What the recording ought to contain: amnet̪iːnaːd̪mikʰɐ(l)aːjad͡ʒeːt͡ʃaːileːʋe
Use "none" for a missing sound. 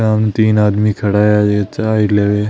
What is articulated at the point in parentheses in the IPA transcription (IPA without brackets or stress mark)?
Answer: ɽ